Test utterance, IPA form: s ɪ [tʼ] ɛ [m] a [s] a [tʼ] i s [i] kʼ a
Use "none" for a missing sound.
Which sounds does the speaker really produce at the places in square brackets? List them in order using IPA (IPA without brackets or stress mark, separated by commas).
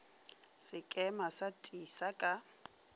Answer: kʼ, m, s, tʼ, a